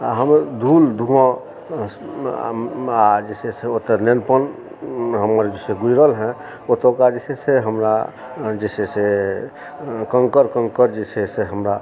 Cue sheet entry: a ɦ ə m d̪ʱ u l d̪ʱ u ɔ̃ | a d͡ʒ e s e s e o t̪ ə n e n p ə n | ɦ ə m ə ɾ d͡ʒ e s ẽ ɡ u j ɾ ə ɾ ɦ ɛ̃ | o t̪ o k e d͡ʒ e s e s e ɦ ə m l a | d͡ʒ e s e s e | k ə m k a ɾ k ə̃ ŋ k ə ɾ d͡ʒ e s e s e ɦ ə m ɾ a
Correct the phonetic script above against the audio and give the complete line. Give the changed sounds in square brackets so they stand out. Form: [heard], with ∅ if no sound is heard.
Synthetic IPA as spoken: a ɦ ə m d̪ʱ u l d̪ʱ u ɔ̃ | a d͡ʒ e s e s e o t̪ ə n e n p ə n | ɦ ə m ə ɾ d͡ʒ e s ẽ ɡ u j ɾ ə [l] ɦ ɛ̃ | o t̪ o k [a] d͡ʒ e s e s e ɦ ə m [ɾ] a | d͡ʒ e s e s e | k ə [ŋ] k [ə] ɾ k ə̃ ŋ k ə ɾ d͡ʒ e s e s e ɦ ə m ɾ a